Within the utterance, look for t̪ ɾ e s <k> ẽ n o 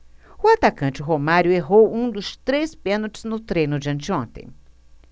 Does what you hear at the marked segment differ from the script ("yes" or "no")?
yes